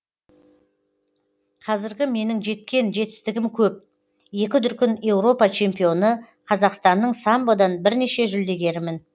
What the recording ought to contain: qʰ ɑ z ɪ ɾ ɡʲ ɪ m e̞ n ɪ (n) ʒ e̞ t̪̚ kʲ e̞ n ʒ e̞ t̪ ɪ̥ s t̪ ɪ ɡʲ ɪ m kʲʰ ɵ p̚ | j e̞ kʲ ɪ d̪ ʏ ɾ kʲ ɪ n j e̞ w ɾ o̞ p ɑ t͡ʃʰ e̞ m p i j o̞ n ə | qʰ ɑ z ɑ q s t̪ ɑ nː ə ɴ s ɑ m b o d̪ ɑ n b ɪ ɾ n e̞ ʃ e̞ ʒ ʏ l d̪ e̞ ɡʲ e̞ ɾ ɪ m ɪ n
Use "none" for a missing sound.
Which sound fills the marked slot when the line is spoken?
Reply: ŋ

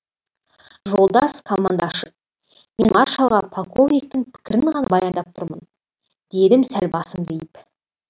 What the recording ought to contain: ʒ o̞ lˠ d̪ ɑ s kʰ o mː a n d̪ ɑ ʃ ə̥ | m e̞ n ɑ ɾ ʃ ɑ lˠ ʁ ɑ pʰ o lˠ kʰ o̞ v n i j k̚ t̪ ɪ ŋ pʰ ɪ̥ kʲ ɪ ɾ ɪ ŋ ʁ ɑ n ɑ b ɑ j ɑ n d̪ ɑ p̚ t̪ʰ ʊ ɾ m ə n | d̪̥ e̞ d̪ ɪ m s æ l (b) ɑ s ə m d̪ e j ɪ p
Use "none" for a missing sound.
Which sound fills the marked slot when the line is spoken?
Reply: b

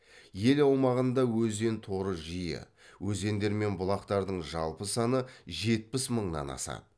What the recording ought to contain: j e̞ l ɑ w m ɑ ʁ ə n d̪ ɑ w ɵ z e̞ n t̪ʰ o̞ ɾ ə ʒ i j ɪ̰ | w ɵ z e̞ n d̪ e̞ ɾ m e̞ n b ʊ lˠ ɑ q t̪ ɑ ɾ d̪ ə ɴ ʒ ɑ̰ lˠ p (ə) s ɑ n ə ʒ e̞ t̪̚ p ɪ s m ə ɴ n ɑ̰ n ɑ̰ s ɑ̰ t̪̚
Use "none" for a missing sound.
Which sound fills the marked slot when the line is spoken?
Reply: ə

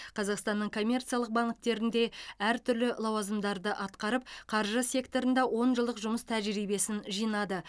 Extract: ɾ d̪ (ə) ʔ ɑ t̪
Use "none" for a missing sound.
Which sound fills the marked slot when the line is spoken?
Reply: ə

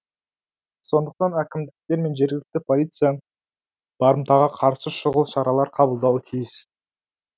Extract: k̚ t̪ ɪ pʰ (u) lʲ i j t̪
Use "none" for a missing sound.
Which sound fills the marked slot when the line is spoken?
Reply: o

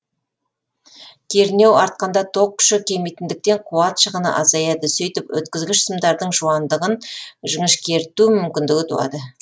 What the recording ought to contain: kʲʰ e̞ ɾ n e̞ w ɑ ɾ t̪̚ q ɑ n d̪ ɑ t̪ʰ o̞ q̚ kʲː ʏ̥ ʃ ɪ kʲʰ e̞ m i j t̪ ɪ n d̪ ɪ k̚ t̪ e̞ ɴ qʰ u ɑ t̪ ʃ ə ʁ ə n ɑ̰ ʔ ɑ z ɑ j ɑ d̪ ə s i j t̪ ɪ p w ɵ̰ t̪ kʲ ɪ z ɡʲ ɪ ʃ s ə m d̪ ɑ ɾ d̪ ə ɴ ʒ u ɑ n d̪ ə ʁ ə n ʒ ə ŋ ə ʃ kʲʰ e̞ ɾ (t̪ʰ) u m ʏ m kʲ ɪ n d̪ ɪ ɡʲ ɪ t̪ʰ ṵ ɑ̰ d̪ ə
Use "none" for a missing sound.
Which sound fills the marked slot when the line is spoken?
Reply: t̪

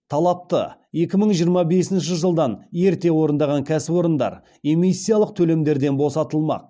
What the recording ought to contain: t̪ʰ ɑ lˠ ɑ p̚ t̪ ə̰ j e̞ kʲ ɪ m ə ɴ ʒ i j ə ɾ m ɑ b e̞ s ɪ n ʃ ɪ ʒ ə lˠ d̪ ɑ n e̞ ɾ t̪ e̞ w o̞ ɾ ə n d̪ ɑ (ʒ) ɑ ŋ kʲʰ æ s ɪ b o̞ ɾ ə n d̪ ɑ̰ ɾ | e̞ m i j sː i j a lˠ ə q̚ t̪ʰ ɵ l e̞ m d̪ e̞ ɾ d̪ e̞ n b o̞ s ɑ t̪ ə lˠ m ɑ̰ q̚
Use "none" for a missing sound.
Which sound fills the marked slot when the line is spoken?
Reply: ʁ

